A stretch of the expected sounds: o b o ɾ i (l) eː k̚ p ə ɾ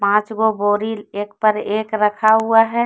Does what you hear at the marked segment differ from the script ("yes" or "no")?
no